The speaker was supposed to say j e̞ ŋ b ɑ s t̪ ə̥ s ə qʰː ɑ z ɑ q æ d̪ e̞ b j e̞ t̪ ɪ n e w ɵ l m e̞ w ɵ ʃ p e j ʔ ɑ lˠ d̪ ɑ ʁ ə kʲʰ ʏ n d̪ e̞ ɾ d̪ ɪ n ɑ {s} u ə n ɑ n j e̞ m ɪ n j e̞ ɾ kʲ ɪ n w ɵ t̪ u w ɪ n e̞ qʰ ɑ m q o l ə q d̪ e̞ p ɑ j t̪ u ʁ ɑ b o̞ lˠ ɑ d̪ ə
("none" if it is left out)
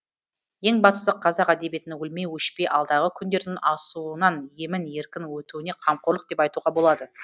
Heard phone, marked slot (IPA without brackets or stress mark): s